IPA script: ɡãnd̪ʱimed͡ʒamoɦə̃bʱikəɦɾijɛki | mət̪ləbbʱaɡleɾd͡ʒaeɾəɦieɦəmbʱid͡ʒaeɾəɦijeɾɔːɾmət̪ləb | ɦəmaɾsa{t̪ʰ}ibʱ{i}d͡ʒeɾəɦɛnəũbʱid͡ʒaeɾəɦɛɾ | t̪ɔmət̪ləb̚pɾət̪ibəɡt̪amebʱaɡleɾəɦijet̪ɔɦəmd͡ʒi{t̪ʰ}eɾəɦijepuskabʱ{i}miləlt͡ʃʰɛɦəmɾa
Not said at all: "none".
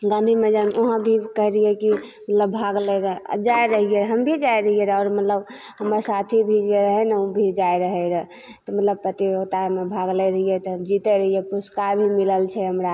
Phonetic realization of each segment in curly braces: t̪ʰ, i, t̪, i

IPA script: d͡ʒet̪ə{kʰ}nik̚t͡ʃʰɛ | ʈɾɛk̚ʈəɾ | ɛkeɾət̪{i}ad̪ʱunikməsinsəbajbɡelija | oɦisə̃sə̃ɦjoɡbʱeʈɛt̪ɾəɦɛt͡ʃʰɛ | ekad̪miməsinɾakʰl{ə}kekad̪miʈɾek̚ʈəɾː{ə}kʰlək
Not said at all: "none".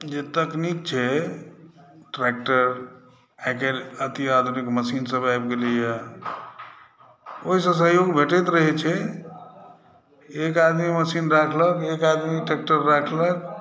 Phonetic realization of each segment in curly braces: k, i, ə, a

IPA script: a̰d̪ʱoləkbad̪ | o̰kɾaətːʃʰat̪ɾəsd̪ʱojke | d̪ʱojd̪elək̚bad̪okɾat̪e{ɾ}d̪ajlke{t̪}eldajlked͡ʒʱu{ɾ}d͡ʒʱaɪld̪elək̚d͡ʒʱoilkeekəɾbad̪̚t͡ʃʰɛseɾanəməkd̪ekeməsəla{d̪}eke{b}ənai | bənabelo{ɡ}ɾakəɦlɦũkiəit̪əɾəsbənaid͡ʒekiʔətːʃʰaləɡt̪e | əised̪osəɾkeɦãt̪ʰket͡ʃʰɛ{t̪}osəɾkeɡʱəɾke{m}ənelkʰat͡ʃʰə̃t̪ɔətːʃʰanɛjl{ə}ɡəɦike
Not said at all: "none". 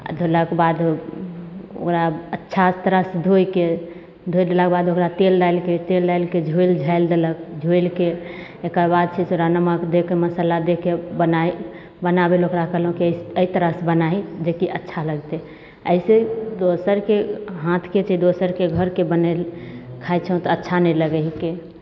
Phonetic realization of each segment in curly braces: l, t̪, l, d̪, b, k, d̪, b, ə

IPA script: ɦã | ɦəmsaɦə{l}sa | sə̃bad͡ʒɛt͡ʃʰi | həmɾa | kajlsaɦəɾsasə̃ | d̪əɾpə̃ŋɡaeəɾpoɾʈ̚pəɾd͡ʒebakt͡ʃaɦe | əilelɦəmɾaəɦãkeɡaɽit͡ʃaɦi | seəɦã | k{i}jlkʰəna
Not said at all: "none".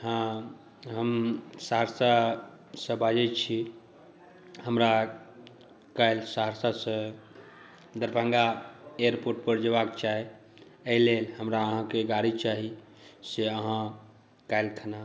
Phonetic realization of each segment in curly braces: ɾ, a

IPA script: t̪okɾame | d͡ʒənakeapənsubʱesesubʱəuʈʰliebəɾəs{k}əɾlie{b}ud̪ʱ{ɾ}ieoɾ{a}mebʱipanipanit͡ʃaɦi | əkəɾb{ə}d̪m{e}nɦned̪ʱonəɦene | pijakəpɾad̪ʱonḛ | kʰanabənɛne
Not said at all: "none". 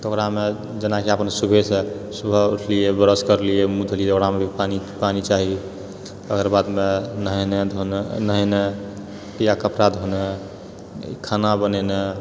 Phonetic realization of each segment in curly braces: k, m, l, a, a, e

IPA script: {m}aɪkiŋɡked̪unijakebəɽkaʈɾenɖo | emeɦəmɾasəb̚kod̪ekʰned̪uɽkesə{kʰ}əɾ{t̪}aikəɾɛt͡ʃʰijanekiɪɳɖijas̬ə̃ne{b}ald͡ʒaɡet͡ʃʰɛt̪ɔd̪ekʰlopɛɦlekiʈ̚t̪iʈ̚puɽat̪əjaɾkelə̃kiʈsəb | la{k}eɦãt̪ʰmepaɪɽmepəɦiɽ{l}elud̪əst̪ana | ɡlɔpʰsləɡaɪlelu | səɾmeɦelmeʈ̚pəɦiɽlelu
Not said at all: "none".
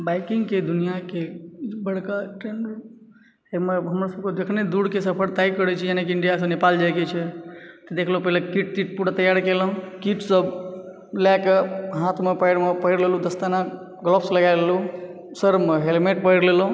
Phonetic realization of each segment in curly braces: b, pʰ, t̪, p, k, l

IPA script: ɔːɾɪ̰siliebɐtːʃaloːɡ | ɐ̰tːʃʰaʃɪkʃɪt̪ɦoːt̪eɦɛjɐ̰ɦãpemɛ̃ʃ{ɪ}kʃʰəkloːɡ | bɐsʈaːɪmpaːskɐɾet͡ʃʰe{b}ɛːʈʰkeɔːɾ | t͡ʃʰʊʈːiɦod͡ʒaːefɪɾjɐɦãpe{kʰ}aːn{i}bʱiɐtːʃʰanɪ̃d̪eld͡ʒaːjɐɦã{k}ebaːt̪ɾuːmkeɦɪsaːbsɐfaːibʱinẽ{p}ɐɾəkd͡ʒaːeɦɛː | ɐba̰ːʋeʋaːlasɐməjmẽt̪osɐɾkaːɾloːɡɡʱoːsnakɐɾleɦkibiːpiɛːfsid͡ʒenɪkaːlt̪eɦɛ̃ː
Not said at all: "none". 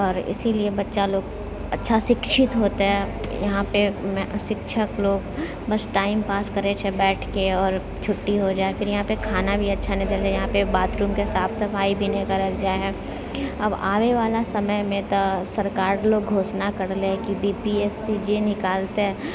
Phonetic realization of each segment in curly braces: ɪ, b, kʰ, a, p, k

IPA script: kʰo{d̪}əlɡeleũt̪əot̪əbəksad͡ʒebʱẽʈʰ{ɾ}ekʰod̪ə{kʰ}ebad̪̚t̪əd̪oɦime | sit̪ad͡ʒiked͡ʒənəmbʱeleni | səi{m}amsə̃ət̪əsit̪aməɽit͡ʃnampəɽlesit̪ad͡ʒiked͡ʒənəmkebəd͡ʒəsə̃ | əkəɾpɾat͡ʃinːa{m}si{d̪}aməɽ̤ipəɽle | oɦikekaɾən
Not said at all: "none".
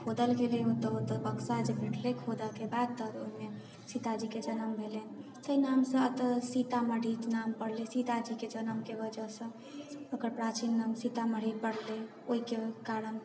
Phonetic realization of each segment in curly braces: d̪, l, k, n, m, t̪

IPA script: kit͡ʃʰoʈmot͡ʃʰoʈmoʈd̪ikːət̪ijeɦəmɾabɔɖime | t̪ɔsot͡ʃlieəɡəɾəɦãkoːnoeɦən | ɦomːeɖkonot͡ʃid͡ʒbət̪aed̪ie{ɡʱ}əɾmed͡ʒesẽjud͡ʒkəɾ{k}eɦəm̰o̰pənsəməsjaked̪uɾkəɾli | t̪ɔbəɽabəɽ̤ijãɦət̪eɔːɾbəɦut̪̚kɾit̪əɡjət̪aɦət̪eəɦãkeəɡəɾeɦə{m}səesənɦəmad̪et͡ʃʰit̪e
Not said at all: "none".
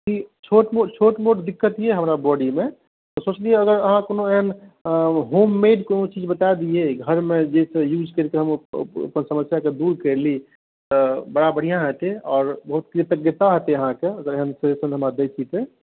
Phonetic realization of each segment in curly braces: ɡʱ, k, n

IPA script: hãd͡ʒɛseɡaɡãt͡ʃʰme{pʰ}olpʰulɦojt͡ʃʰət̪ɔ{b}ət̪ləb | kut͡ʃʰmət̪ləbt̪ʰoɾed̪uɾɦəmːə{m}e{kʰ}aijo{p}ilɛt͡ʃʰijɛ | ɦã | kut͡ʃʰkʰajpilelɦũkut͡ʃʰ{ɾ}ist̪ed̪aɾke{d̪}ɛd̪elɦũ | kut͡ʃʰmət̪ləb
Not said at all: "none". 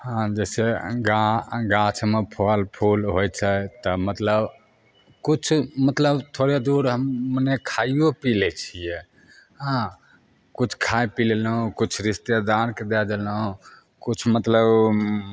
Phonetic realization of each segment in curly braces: pʰ, m, n, kʰ, p, ɾ, d̪

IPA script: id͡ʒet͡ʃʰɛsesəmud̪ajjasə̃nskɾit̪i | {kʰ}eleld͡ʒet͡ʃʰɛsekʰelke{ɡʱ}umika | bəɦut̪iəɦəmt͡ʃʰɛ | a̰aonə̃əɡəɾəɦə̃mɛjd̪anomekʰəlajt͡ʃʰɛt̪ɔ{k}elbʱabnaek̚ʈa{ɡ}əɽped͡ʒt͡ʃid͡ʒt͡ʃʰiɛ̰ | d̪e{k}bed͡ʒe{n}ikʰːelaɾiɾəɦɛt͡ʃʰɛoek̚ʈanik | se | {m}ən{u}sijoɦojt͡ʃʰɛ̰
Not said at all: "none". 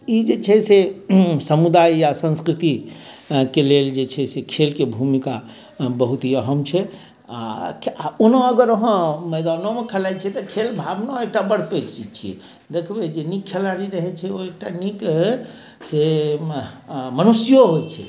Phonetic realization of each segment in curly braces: k, bʱ, kʰ, b, kʰ, n, m, u

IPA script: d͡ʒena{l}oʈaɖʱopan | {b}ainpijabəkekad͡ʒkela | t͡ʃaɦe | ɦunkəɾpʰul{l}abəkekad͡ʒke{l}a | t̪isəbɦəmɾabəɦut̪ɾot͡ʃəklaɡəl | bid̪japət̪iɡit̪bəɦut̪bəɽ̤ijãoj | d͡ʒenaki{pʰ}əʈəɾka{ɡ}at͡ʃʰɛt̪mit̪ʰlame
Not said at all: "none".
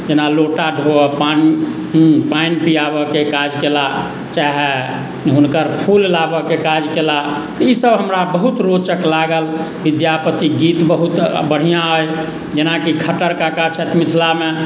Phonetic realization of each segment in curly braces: l, p, l, l, kʰ, k

